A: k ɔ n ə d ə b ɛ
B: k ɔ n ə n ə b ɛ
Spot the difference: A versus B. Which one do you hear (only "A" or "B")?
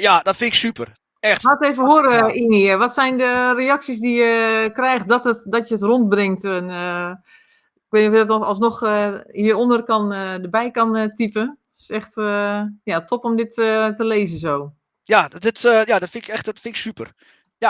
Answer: A